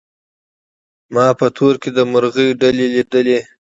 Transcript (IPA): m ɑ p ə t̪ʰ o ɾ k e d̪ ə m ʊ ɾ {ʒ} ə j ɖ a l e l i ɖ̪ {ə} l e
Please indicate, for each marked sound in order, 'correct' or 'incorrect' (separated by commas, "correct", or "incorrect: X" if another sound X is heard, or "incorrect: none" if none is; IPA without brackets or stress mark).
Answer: incorrect: ɣ, correct